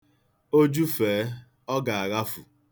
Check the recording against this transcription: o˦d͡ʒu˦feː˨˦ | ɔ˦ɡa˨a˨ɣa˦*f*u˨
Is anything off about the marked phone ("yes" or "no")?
no